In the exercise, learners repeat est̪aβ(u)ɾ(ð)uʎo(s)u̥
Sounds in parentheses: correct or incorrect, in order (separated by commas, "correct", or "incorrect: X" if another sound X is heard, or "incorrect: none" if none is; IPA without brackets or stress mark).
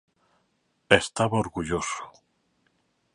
incorrect: o, incorrect: ɣ, correct